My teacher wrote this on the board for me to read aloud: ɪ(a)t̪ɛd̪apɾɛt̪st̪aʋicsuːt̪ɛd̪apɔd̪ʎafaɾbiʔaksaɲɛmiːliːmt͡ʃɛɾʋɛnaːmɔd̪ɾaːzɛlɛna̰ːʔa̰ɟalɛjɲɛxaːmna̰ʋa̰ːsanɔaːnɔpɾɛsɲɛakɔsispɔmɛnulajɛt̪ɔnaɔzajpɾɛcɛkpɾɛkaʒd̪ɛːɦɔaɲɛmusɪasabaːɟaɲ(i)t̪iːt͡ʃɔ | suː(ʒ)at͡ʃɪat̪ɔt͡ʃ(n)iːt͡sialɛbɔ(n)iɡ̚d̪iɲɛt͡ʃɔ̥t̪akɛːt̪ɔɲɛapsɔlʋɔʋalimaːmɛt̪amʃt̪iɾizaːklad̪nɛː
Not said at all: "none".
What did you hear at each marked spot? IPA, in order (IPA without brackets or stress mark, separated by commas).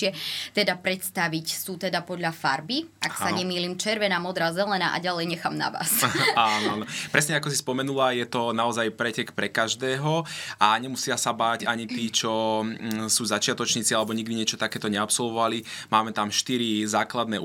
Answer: ɛ, i, z, ɲ, ɲ